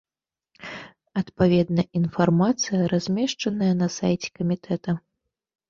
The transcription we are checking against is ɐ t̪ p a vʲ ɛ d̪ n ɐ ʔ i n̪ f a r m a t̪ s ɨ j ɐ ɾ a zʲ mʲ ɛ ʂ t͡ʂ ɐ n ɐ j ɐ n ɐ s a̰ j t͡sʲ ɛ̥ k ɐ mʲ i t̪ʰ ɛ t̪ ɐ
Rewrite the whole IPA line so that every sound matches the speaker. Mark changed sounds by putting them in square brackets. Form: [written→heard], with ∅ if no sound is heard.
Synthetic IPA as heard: ɐ t̪ p a vʲ ɛ d̪ n ɐ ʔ i n̪ f a r m a t̪ s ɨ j ɐ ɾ a zʲ mʲ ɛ ʂ t͡ʂ ɐ n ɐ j ɐ n ɐ s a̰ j t͡sʲ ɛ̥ k ɐ mʲ i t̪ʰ ɛ t̪ ɐ